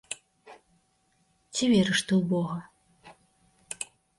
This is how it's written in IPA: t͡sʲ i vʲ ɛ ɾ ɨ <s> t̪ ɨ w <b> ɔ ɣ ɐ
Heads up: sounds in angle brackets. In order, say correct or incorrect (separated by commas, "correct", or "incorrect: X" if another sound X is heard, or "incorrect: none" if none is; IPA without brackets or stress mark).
incorrect: ʂ, correct